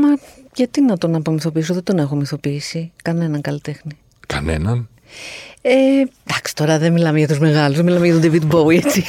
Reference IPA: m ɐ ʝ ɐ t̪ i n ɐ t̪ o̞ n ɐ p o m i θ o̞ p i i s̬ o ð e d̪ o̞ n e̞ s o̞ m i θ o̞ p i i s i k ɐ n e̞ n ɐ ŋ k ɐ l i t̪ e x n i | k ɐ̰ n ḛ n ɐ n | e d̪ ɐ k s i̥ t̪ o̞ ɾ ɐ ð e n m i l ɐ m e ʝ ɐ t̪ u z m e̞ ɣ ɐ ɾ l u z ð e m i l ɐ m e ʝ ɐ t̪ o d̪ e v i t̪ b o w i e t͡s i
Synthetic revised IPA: m ɐ ʝ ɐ t̪ i n ɐ t̪ o̞ n ɐ p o m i θ o̞ p i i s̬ o ð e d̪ o̞ n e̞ x o̞ m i θ o̞ p i i s i k ɐ n e̞ n ɐ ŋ k ɐ l i t̪ e x n i | k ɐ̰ n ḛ n ɐ n | e d̪ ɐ k s i̥ t̪ o̞ ɾ ɐ ð e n m i l ɐ m e ʝ ɐ t̪ u z m e̞ ɣ ɐ l u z ð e m i l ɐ m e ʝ ɐ t̪ o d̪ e v i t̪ b o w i e t͡s i